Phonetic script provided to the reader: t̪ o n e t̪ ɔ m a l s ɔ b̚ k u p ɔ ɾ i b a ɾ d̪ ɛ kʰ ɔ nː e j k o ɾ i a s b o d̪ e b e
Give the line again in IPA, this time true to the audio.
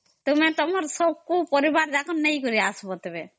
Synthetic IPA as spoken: t̪ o m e t̪ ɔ m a ɾ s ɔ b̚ k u p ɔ ɾ i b a ɾ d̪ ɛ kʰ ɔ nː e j k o ɾ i a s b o t̪ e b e